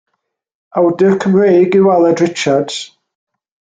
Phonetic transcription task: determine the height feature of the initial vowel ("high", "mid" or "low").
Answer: low